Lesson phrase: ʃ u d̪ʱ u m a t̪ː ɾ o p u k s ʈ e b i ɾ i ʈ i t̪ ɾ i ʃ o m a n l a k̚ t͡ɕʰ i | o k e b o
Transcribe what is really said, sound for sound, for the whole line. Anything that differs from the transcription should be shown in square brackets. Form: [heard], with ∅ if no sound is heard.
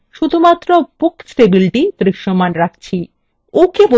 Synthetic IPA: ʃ u d̪ʱ u m a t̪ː ɾ o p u k s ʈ e b i [l] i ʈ i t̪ ɾ i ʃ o m a n [ɾ] a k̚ t͡ɕʰ i | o k e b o

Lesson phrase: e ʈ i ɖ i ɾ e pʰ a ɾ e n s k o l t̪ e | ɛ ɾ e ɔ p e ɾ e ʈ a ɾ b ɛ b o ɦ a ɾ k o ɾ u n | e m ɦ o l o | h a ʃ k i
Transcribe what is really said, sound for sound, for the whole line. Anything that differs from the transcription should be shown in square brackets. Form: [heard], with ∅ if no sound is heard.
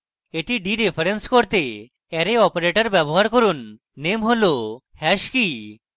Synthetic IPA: e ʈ i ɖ i ɾ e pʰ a ɾ e n s k o [ɾ] t̪ e | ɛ ɾ e ɔ p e ɾ e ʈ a ɾ b ɛ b o ɦ a ɾ k o ɾ u [nː] | e m ɦ o l o | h [ɛ] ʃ k i

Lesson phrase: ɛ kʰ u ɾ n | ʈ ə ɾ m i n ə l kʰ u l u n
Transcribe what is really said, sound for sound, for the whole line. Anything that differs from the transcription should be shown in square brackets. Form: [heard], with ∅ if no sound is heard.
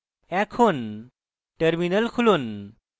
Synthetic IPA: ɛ kʰ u [∅] n | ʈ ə ɾ m i n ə l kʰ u l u n

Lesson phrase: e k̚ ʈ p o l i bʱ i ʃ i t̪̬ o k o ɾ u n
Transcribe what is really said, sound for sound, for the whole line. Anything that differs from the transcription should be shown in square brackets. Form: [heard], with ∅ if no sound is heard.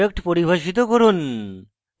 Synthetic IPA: e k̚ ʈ p o [ɾ] i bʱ [a] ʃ i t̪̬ o k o ɾ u n

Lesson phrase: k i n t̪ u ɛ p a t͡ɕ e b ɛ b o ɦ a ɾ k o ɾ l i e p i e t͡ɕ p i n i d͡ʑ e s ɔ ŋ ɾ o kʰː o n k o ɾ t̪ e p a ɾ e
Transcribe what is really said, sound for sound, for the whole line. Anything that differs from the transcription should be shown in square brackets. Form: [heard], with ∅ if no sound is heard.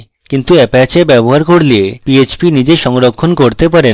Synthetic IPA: k i n t̪ u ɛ p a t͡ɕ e b ɛ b o ɦ a ɾ k o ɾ l i e p i e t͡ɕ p i n i d͡ʑ e [ʃ] ɔ ŋ ɾ o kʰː o n k o ɾ t̪ e p a ɾ e

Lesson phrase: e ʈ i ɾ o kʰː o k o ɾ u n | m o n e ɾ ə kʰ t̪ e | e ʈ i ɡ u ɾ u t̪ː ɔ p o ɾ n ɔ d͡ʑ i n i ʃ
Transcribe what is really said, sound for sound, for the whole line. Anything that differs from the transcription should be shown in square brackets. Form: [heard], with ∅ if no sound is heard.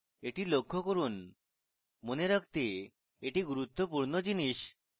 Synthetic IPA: e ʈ i [l] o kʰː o k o ɾ u n | m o n e ɾ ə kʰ t̪ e | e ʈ i ɡ u ɾ u t̪ː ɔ p [u] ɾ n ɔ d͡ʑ i n i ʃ

